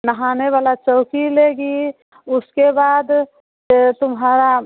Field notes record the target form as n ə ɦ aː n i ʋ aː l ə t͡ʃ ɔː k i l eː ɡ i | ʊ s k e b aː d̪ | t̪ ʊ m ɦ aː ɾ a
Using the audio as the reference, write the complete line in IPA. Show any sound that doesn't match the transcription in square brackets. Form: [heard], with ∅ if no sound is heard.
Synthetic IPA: n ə ɦ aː n [e] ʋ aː l [a] t͡ʃ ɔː k i l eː ɡ i | ʊ s k e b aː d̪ | t̪ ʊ m ɦ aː ɾ a